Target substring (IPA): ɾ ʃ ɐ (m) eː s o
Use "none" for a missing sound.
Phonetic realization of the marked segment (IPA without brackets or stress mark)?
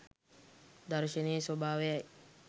n